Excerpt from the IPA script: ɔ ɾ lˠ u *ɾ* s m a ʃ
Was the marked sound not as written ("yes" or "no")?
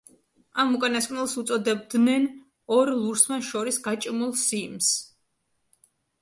no